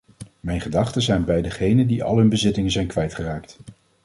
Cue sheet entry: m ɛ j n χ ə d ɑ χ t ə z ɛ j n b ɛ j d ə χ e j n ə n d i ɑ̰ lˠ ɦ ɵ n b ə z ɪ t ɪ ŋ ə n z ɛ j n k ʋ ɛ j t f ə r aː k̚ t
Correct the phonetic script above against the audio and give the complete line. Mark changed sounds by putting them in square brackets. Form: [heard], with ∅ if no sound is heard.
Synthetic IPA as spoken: m ɛ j n χ ə d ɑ χ t ə z ɛ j n b ɛ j d ə χ e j n ə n d i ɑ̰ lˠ ɦ ɵ n b ə z ɪ t ɪ ŋ ə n z ɛ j n k ʋ ɛ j t [χ] ə r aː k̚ t